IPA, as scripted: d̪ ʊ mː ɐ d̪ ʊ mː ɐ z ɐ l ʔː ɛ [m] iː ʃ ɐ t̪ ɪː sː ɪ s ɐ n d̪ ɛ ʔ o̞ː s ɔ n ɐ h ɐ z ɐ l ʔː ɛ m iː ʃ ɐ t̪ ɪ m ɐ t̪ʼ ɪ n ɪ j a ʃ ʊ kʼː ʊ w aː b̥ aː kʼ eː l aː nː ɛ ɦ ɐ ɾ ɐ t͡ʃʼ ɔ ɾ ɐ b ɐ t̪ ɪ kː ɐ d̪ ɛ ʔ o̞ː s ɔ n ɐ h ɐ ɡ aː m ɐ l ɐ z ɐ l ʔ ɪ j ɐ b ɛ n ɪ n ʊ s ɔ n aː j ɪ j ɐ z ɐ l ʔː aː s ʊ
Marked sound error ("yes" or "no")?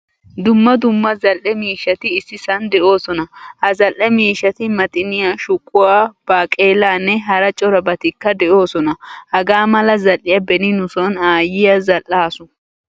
no